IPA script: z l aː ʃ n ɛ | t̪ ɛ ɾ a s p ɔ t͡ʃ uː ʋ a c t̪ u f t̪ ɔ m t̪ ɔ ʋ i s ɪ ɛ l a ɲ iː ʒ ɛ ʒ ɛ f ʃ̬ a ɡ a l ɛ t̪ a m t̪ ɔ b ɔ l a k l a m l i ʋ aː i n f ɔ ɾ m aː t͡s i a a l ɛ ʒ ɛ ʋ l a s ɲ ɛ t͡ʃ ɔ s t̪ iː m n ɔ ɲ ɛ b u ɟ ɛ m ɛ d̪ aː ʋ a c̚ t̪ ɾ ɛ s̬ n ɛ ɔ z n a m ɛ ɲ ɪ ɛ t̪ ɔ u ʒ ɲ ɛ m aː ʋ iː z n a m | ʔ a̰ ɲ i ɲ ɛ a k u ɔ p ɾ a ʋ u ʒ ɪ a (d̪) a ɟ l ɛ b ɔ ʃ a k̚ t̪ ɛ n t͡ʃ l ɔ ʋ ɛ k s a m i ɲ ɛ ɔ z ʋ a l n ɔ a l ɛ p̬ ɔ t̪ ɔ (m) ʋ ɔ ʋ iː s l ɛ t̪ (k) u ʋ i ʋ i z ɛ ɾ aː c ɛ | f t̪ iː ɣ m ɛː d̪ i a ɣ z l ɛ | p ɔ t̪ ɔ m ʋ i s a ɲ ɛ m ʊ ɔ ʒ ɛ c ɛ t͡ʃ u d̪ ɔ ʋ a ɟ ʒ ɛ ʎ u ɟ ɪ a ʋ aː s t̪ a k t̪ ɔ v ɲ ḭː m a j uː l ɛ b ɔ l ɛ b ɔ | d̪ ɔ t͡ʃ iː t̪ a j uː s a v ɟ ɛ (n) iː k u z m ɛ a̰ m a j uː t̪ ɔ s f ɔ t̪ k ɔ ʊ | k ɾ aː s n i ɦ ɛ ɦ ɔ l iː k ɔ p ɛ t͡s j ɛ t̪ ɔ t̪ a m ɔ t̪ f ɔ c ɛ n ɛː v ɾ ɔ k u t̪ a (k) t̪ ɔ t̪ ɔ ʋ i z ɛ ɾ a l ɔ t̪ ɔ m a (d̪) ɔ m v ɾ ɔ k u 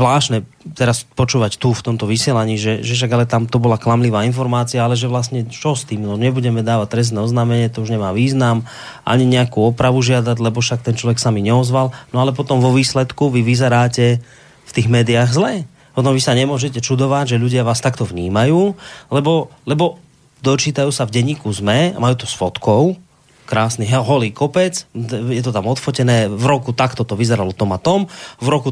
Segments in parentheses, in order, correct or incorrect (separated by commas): correct, correct, correct, incorrect, correct, incorrect